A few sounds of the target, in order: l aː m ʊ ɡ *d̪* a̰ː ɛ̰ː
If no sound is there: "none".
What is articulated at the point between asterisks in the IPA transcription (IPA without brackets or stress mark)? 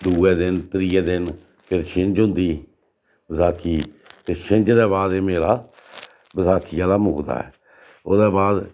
d̪